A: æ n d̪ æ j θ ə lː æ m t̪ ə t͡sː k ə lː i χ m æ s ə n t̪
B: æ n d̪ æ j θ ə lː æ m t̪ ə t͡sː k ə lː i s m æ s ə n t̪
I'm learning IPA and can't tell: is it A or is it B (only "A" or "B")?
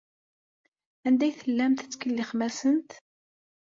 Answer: A